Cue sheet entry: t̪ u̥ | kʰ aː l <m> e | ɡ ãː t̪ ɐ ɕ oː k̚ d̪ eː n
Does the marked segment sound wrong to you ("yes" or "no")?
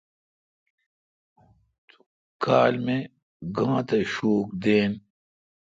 no